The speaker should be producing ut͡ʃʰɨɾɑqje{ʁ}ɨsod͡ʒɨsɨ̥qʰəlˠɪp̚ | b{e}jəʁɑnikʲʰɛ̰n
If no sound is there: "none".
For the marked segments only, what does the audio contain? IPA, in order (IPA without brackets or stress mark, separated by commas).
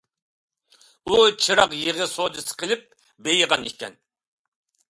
ʁ, e